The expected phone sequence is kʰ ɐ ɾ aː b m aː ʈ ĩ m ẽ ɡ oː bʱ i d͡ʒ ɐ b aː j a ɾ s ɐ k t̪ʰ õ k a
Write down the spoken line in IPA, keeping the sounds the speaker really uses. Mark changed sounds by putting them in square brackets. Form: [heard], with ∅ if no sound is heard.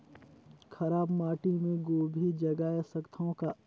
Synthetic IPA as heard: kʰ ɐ ɾ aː b m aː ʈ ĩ m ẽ ɡ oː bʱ i d͡ʒ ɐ [ɡ] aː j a [∅] s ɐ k t̪ʰ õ k a